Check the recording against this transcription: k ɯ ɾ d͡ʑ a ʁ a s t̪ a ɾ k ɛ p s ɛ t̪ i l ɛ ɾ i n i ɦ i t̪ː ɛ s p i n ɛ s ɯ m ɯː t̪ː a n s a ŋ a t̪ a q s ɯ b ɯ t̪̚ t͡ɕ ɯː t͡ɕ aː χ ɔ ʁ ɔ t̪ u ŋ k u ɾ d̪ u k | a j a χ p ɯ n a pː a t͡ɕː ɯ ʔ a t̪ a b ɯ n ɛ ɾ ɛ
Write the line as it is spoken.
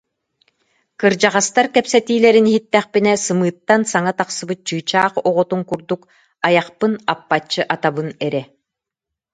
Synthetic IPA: k ɯ ɾ d͡ʑ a ʁ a s t̪ a ɾ k ɛ p s ɛ t̪ iː l ɛ ɾ i n i ɦ i t̪ː ɛ χ p i n ɛ s ɯ m ɯː t̪ː a n s a ŋ a t̪ a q s ɯ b ɯ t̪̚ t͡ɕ ɯː t͡ɕ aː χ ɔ ʁ ɔ t̪ u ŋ k u ɾ d̪ u k | a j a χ p ɯ n a pː a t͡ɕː ɯ ʔ a t̪ a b ɯ n ɛ ɾ ɛ